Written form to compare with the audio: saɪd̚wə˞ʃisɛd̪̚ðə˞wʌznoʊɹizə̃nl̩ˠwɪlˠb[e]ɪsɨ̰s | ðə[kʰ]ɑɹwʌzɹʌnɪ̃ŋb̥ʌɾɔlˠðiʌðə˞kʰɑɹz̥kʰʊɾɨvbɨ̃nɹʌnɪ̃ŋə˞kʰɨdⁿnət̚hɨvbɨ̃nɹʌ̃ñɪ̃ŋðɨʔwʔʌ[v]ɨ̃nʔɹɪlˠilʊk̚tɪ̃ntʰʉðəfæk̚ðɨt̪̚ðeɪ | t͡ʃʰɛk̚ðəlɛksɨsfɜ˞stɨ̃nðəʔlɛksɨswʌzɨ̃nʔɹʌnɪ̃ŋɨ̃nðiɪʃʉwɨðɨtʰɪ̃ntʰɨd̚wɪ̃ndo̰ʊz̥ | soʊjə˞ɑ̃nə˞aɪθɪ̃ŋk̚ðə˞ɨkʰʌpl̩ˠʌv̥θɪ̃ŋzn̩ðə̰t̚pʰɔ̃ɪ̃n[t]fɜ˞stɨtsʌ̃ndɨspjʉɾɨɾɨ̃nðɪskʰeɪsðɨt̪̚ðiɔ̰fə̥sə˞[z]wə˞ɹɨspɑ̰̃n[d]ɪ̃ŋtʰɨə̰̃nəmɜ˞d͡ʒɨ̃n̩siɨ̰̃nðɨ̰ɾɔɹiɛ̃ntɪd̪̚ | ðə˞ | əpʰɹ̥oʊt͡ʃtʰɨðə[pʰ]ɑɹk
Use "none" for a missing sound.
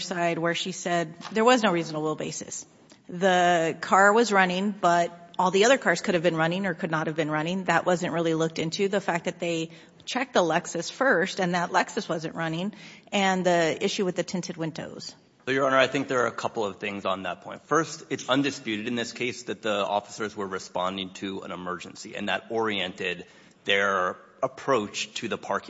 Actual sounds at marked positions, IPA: e, kʰ, z, t, z, d, pʰ

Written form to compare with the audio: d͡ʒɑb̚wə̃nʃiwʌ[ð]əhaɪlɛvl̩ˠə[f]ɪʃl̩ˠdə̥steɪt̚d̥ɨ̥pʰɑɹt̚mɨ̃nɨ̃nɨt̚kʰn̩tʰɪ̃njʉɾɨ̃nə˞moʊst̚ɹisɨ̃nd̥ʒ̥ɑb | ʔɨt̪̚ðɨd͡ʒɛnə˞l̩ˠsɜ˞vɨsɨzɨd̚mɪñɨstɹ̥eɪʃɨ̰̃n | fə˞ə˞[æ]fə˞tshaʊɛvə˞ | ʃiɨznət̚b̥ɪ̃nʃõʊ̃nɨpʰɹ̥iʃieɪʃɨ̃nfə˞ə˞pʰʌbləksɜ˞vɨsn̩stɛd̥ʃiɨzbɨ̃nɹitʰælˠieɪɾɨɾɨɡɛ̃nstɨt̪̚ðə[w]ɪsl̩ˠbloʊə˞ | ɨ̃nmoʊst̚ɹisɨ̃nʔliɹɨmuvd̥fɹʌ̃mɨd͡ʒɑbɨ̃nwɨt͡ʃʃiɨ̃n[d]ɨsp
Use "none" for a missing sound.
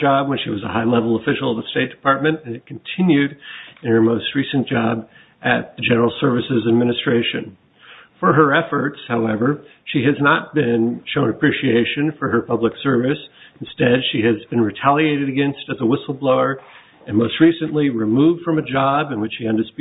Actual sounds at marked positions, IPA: z, f, ɛ, w, d

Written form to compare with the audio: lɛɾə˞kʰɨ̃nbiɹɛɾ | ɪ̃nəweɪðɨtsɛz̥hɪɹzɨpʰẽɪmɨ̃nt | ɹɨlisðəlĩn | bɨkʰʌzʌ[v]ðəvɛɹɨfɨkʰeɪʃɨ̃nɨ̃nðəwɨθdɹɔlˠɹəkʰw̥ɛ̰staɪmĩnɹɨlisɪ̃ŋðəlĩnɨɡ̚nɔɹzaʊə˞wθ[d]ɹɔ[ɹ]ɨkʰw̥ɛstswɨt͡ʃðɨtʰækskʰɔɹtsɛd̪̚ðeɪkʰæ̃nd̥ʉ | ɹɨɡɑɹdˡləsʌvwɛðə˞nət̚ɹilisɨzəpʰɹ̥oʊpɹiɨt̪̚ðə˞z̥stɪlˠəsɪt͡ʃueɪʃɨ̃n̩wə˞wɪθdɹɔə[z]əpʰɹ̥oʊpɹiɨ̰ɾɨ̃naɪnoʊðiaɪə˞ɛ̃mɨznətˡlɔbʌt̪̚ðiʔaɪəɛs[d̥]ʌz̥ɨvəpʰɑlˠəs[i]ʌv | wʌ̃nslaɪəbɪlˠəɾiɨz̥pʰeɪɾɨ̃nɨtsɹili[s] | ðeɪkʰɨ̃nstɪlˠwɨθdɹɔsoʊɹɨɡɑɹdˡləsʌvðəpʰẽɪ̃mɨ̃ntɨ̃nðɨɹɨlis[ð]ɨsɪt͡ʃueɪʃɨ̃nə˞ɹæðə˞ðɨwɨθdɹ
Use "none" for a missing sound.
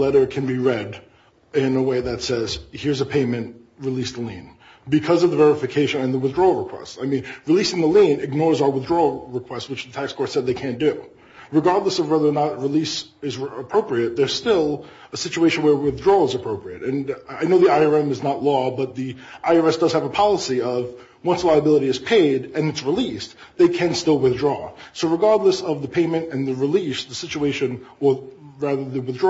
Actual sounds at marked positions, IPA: v, d, ɹ, z, d̥, i, s, ð

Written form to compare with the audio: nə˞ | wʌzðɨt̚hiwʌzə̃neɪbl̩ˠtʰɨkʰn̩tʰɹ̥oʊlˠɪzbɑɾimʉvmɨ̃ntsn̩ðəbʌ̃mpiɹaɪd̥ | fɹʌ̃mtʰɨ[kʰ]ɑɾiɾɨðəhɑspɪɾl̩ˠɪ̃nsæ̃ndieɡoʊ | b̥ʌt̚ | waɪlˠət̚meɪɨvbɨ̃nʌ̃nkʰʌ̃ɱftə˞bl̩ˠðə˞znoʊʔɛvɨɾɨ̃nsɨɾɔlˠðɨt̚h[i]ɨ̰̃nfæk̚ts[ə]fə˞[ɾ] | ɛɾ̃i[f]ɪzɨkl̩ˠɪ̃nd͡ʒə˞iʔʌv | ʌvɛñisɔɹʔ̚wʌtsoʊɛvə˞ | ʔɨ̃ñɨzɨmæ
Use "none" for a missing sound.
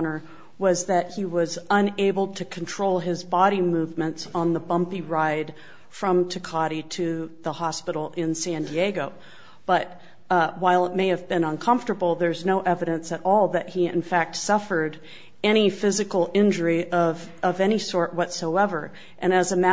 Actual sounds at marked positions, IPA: kʰ, i, ʌ, ɾ, f

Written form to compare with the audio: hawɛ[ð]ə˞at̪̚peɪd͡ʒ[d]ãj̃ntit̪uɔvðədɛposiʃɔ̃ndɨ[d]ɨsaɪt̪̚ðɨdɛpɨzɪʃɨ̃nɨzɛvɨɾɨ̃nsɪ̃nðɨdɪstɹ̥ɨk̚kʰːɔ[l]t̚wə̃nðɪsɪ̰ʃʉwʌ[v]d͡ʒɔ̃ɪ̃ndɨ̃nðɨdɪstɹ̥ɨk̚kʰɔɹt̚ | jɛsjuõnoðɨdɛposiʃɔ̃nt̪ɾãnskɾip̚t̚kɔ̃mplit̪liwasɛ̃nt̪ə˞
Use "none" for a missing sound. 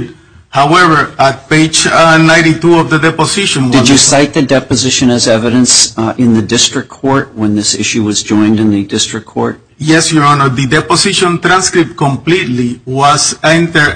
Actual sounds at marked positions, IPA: v, n, d͡ʒ, ɹ, z

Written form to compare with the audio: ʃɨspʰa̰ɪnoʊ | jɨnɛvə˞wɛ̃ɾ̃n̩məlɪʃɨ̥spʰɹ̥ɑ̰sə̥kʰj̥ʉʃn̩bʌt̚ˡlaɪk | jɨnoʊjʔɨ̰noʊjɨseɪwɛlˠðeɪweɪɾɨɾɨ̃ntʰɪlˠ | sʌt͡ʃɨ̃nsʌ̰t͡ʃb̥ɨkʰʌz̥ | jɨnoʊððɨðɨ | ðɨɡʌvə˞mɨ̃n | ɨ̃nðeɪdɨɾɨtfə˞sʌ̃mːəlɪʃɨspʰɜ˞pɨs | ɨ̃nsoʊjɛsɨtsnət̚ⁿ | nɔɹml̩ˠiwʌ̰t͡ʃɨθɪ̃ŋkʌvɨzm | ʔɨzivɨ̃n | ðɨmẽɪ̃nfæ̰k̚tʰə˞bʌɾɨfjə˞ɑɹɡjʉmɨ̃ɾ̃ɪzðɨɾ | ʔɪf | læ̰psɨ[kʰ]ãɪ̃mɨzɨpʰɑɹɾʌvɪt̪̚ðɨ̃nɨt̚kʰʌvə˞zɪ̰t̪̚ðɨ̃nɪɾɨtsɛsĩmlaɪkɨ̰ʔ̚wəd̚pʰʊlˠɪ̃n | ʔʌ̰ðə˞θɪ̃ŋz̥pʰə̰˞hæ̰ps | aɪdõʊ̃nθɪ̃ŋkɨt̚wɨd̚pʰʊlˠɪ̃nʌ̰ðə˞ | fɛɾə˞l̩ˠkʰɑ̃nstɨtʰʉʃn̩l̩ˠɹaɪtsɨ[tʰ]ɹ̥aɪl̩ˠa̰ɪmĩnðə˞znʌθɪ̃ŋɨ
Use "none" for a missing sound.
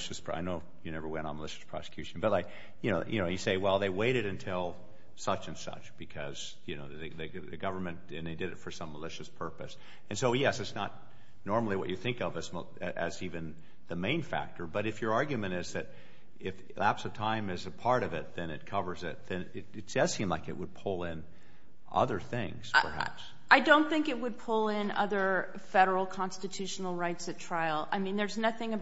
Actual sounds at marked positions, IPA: tʰ, tʰ

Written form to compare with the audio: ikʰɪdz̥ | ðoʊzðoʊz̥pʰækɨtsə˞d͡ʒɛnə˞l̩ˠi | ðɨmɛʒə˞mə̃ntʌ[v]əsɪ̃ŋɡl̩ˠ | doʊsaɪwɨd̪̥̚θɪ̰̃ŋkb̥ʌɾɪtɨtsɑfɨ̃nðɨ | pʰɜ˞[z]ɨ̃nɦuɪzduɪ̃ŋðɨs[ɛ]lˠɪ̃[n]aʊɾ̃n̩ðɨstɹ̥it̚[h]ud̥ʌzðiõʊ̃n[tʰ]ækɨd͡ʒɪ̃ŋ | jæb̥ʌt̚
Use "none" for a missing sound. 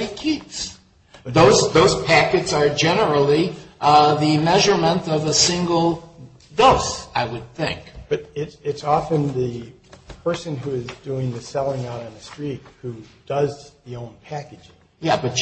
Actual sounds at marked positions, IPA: v, s, ɛ, ŋ, h, pʰ

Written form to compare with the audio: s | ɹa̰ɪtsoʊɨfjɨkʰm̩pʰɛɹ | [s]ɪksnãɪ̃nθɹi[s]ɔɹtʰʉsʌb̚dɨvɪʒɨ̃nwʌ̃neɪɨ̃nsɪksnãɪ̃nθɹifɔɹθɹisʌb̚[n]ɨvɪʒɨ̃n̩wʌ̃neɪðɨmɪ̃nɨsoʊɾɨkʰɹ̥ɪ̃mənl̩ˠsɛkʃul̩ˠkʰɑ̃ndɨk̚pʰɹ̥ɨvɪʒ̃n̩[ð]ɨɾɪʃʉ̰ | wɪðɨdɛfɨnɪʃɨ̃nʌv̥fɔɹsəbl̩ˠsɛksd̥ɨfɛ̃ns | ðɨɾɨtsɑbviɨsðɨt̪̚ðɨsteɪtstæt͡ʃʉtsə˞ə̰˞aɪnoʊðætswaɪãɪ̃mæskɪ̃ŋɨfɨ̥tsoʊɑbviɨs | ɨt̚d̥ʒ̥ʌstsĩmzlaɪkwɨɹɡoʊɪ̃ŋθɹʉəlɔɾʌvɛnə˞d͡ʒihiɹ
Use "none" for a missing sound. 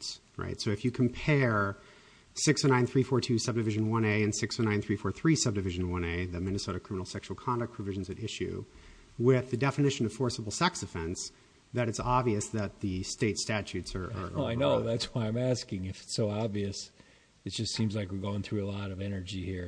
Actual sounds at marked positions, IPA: s, f, d, z

